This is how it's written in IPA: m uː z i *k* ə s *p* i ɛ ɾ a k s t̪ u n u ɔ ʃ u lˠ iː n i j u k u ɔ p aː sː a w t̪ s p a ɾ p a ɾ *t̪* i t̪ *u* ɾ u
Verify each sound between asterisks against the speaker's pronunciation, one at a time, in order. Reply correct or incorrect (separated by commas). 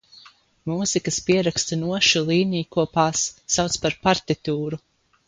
correct, correct, correct, incorrect